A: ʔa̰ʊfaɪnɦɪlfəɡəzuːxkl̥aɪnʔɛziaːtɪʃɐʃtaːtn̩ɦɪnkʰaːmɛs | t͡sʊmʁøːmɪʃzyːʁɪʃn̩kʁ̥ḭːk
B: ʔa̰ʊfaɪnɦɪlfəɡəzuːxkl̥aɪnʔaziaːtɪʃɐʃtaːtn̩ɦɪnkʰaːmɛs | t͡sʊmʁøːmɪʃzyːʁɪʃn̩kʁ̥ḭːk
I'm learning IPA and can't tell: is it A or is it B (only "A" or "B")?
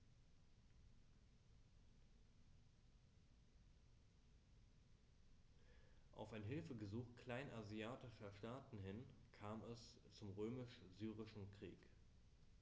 B